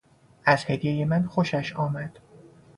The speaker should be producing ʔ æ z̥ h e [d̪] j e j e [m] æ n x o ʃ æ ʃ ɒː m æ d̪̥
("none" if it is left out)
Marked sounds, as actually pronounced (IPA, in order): d̪, m

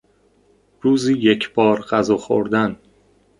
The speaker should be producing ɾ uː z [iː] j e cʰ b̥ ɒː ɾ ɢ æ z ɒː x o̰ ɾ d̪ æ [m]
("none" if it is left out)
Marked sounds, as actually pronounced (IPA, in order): iː, n

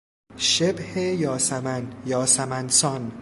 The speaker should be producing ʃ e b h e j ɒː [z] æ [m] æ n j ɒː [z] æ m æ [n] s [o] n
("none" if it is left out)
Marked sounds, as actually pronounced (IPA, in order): s, m, s, n, ɒ

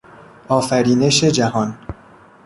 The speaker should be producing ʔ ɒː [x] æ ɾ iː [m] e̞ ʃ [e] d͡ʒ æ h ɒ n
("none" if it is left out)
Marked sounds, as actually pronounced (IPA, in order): f, n, e

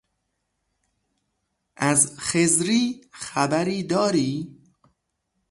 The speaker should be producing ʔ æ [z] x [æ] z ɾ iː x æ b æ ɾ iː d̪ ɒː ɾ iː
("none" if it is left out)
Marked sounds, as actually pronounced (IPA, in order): z, e

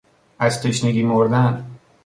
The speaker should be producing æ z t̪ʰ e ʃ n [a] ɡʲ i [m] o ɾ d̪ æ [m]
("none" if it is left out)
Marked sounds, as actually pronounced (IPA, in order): e, m, n

